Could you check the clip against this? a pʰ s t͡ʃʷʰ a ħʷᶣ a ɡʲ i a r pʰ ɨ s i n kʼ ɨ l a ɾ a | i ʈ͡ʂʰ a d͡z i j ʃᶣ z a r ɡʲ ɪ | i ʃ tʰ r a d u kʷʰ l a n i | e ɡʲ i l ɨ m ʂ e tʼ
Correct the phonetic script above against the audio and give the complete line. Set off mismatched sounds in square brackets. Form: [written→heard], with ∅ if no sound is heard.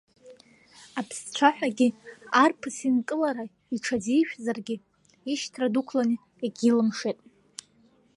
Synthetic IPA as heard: a pʰ s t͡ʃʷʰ a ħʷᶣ a ɡʲ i a r pʰ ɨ s i n kʼ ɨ l a ɾ a | i ʈ͡ʂʰ a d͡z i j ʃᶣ z a r ɡʲ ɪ | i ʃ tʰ r a d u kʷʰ l a n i | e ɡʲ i l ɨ m ʂ e tʼ